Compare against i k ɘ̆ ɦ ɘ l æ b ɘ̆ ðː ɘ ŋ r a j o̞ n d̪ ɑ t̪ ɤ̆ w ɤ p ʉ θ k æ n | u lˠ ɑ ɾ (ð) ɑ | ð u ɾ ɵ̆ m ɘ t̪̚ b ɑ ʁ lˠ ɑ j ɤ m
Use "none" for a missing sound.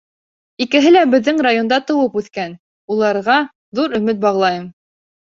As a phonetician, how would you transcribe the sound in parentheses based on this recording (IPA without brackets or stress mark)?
ʁ